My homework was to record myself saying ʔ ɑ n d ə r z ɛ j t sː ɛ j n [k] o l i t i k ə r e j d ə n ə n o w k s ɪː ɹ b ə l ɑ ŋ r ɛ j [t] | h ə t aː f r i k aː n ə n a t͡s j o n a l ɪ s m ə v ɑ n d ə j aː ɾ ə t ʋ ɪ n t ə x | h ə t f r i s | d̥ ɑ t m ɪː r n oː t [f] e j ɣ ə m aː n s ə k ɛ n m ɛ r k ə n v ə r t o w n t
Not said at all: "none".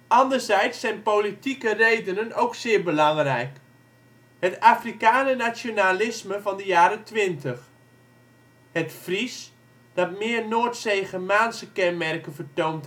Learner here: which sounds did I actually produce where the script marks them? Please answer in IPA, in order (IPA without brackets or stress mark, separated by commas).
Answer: p, k, s